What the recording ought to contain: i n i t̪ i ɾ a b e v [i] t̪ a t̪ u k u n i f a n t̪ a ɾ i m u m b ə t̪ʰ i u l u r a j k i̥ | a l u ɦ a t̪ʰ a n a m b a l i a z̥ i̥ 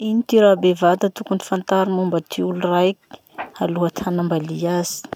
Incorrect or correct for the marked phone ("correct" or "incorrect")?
incorrect